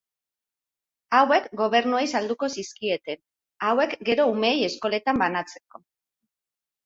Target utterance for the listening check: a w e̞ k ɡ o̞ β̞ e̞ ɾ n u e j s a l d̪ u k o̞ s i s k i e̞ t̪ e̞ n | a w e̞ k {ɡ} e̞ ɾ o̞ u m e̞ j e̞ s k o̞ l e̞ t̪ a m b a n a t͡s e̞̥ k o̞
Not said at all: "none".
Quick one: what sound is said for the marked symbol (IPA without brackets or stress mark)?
ɡ